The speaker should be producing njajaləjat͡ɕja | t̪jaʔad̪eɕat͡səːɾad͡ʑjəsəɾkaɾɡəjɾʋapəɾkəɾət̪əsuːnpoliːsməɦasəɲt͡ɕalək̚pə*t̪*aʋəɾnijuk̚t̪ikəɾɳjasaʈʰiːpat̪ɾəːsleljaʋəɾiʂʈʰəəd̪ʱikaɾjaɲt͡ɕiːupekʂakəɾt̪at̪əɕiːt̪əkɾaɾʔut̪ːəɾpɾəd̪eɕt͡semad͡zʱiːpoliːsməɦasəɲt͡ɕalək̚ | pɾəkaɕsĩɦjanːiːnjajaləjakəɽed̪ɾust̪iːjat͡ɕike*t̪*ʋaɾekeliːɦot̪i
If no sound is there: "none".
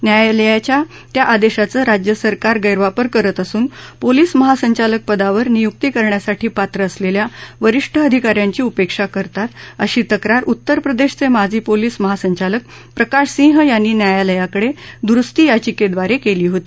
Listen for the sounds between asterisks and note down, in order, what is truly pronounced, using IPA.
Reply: d̪, d̪

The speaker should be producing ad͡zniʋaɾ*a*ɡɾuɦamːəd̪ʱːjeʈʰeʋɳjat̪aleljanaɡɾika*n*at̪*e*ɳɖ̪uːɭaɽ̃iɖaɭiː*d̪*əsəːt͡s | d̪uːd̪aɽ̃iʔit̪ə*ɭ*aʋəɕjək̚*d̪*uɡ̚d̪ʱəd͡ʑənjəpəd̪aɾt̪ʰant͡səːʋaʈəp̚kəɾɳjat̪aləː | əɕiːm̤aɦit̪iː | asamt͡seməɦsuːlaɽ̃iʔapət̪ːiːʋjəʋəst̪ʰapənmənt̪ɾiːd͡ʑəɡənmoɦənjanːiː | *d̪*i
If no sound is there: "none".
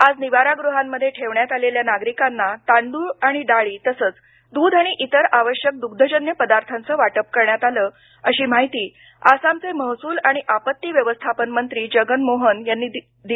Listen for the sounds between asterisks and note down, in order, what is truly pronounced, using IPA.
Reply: a, nː, a, t̪, ɾ, d̪, d̪

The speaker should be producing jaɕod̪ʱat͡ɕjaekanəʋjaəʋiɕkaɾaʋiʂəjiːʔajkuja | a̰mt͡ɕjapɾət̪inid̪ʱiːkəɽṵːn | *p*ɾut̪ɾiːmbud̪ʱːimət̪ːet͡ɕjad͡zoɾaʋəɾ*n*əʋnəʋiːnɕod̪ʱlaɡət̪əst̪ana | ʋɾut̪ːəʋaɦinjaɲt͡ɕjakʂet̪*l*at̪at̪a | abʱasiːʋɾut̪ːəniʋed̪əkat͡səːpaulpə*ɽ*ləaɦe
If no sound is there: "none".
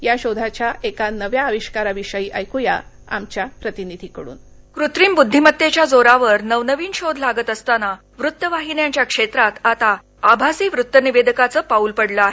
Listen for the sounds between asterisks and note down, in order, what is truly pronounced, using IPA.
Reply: k, n, ɾ, ɽ

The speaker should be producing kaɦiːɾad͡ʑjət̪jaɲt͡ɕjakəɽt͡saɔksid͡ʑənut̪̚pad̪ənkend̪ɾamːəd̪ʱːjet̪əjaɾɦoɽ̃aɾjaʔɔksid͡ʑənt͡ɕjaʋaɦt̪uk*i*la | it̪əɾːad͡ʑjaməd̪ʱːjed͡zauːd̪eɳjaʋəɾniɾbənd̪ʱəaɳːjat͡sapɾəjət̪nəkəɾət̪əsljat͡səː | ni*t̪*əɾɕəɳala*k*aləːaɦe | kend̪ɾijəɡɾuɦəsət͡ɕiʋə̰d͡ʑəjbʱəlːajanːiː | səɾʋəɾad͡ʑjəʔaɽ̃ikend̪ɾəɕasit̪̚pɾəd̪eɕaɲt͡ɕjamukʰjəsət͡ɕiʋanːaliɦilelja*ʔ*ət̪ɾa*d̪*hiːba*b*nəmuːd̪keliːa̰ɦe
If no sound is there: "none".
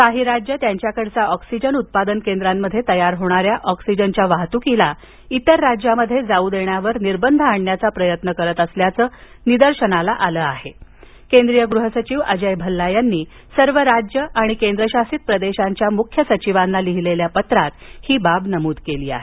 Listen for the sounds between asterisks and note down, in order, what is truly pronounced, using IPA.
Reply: i, d̪, ʔ, p, t̪, b

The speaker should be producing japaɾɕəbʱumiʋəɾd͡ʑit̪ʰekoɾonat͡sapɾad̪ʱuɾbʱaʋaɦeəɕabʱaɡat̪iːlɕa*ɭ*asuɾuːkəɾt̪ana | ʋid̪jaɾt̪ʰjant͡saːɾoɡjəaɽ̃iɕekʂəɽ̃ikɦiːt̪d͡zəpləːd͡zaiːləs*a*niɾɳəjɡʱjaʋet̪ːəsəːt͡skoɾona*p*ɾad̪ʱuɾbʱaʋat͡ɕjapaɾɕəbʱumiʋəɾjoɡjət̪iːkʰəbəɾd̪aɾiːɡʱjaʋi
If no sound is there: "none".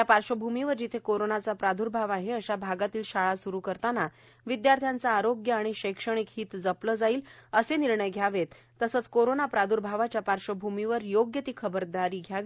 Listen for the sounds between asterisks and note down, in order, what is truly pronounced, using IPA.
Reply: ɭ, e, p

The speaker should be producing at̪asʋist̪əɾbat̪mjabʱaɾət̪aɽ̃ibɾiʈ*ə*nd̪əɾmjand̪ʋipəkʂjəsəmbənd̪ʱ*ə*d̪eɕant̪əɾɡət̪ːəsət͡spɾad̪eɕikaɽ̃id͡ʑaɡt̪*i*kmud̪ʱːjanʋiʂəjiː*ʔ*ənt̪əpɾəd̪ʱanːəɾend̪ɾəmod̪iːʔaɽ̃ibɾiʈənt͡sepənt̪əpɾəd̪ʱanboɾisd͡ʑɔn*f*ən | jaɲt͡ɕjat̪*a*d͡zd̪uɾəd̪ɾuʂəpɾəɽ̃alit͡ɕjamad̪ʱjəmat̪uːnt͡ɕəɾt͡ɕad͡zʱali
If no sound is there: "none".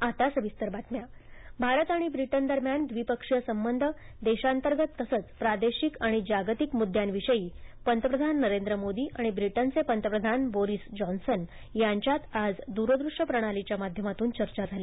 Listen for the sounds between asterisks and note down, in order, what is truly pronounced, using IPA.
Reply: ə, ə, i, p, s, a

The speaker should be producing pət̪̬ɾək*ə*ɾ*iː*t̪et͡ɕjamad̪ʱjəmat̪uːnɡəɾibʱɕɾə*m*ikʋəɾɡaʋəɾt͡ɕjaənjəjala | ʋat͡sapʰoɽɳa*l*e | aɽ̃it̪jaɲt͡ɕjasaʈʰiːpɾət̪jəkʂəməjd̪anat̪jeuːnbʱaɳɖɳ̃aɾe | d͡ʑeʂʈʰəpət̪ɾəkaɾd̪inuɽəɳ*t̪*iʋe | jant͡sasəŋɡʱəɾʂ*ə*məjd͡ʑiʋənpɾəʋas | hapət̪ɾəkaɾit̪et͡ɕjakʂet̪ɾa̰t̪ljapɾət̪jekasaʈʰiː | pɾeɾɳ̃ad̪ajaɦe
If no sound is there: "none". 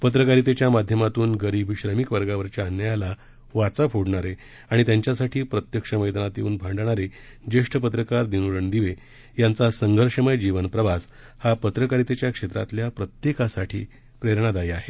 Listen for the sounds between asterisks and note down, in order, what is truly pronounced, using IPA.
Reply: a, i, m, ɾ, d̪, ə

